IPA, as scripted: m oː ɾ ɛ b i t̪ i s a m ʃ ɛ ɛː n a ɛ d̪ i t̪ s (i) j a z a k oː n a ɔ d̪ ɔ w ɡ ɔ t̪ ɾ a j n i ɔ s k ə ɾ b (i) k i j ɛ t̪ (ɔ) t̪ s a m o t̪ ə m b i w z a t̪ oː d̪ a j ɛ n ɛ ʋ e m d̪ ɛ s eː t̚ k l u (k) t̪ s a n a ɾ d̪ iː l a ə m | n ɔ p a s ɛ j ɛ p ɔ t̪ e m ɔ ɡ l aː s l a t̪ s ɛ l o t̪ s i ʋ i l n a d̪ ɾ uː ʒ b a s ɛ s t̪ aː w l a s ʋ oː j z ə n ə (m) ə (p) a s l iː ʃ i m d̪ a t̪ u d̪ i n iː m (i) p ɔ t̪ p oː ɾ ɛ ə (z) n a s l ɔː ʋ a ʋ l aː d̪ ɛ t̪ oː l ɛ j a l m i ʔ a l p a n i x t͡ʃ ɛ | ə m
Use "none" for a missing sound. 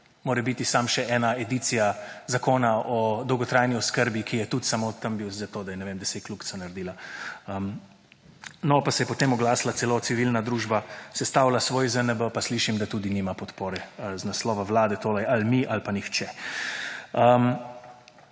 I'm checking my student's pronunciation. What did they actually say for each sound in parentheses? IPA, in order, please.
i, i, u, k, b, p, a, z

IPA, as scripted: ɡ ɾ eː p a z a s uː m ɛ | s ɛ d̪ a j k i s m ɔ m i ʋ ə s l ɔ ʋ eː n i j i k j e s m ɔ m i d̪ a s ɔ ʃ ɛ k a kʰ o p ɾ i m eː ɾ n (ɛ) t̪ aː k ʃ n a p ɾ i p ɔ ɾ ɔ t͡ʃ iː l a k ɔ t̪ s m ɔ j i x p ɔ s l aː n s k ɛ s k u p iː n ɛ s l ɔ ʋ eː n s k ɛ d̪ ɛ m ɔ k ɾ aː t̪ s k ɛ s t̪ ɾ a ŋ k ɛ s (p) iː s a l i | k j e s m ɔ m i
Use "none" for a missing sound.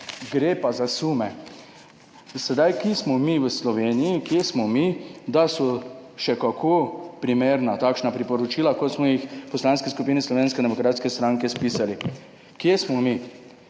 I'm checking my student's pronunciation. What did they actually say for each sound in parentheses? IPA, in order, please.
a, p

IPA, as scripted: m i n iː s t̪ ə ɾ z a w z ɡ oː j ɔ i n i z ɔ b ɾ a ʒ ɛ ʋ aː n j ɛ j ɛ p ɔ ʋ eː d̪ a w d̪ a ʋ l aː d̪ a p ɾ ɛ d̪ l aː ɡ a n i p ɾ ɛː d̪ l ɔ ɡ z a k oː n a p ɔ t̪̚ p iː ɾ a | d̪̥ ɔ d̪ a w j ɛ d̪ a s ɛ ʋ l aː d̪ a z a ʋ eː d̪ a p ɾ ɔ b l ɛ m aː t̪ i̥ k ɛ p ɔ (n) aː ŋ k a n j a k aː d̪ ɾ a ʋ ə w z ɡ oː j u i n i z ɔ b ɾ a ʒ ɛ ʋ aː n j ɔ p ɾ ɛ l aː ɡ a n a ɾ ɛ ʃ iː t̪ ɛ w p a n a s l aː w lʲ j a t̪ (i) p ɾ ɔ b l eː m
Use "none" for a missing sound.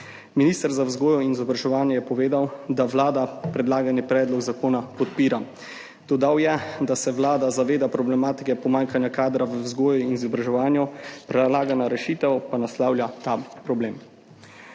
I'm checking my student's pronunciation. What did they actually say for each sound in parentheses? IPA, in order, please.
m, a

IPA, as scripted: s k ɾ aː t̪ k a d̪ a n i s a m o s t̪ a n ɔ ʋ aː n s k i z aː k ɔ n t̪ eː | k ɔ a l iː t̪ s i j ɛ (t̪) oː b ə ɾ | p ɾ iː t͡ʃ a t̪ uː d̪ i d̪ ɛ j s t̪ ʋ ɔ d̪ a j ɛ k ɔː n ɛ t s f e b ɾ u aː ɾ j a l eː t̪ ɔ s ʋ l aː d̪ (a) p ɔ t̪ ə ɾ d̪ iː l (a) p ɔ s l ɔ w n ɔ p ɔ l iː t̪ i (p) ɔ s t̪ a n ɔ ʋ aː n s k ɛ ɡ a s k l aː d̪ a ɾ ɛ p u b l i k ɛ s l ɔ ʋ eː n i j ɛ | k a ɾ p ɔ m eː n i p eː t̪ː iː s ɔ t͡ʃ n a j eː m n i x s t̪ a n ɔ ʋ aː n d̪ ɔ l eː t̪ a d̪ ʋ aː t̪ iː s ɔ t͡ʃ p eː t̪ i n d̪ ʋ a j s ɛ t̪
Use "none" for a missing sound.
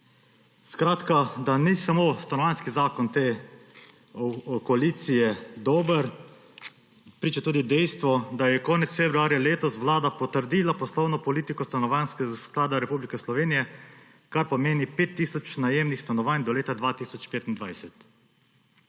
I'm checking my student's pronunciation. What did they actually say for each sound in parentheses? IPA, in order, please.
d̪, a, a, k

